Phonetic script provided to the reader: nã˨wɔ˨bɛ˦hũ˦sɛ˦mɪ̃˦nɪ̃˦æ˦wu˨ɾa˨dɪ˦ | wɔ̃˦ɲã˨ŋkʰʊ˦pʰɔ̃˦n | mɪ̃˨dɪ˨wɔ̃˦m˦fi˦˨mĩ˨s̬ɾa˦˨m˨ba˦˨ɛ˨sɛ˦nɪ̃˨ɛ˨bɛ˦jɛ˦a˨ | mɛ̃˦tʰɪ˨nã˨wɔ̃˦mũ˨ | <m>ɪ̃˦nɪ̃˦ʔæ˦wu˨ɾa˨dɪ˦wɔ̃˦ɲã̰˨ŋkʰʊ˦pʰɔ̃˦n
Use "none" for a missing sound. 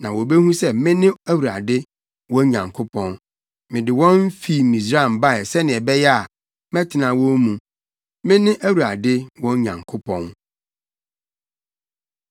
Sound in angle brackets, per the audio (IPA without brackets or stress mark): m